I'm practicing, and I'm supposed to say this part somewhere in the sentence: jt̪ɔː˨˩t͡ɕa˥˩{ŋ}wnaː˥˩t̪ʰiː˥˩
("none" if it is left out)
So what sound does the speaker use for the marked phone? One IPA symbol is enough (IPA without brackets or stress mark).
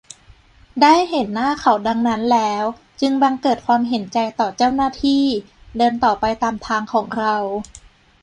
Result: none